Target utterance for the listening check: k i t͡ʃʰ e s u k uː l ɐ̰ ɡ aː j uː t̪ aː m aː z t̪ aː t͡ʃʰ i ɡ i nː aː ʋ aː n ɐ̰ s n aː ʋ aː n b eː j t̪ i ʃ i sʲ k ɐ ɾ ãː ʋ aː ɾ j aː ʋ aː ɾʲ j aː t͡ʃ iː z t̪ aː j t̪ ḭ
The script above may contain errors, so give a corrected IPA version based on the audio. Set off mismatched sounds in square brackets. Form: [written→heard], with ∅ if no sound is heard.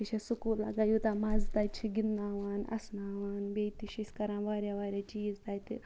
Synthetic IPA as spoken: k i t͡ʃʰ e s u k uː l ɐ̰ ɡ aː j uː t̪ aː m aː z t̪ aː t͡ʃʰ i ɡ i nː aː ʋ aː n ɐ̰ s n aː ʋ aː n b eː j t̪ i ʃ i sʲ k ɐ ɾ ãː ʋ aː ɾ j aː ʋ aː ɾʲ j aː t͡ʃ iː z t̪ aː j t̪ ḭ